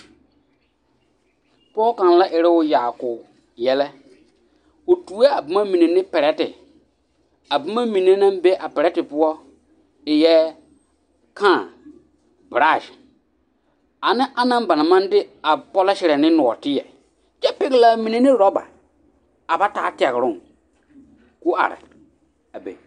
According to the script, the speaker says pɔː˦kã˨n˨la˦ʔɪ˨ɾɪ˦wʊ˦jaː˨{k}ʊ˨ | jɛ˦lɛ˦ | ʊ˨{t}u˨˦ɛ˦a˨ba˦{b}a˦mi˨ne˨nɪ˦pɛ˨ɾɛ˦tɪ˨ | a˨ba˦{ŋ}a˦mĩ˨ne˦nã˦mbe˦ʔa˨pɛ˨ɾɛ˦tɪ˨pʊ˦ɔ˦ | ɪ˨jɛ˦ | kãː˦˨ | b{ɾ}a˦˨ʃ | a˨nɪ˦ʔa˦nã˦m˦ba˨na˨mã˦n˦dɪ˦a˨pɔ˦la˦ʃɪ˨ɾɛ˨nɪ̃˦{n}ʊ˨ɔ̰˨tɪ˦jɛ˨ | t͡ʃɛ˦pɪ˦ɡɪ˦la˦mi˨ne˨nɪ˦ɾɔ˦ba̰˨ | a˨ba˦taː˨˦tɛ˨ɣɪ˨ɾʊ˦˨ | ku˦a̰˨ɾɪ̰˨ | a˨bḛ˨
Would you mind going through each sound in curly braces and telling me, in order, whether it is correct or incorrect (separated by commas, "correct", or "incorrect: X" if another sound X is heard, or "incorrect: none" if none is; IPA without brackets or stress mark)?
correct, correct, incorrect: m, incorrect: m, correct, correct